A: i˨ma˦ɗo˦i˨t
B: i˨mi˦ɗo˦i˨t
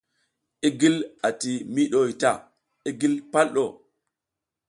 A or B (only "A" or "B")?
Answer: B